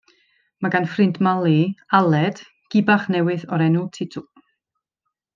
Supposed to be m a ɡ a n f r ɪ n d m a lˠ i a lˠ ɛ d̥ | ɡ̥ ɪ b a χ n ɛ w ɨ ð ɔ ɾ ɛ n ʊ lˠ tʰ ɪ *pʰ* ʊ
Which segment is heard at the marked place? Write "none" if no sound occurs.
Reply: tʰ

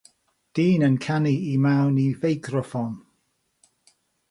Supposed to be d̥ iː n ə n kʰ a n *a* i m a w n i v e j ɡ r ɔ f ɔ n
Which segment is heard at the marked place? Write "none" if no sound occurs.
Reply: i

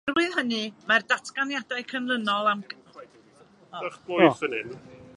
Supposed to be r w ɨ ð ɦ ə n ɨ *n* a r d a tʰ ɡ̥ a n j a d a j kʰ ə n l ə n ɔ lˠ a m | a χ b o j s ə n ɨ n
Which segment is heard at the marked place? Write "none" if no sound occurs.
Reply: m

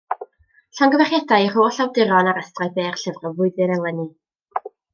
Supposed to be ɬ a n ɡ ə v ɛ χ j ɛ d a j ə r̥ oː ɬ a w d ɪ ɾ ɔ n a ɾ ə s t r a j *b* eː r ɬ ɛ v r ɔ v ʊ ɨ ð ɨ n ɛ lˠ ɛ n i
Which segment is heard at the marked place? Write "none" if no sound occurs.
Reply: b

